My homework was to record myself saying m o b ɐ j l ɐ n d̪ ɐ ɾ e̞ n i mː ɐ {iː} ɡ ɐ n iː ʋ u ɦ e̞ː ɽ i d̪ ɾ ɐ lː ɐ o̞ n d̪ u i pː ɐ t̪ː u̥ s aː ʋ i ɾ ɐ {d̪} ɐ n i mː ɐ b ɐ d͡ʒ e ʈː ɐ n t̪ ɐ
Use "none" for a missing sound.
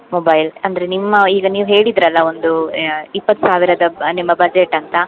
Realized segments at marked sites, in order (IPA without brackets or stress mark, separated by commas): iː, d̪